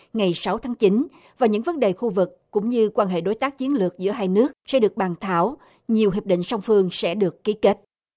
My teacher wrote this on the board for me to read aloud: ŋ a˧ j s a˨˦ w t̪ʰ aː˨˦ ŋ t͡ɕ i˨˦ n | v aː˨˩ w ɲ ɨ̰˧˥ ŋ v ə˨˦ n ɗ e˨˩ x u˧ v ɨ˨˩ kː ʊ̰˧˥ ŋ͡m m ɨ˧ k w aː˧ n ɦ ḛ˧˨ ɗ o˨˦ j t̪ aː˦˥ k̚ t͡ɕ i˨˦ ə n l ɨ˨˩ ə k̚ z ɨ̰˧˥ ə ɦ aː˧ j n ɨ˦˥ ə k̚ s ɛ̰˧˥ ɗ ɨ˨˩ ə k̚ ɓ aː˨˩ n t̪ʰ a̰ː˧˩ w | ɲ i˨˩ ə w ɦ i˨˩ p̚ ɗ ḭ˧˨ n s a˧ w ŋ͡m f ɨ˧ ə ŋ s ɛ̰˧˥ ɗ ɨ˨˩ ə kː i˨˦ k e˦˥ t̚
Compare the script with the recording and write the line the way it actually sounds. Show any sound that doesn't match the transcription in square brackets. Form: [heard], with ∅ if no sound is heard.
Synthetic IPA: ŋ [a˨˩] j s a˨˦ w t̪ʰ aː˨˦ ŋ t͡ɕ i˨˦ n | v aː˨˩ w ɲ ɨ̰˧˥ ŋ v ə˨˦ n ɗ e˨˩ x u˧ v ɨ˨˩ kː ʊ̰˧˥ ŋ͡m [ɲ] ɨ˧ k w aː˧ n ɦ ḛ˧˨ ɗ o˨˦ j t̪ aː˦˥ k̚ t͡ɕ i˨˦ ə n l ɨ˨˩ ə k̚ z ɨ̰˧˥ ə ɦ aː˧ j n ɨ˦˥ ə k̚ s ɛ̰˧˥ ɗ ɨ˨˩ ə k̚ ɓ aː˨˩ n t̪ʰ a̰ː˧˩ w | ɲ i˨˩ ə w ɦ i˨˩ p̚ ɗ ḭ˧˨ [ŋ] s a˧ w ŋ͡m f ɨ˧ ə ŋ s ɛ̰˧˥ ɗ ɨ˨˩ ə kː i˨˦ k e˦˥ t̚